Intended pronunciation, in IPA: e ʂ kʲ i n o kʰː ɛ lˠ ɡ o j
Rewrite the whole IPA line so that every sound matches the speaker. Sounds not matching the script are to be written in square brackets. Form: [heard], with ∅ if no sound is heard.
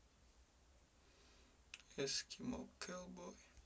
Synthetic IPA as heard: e [s] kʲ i [m] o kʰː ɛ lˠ [b] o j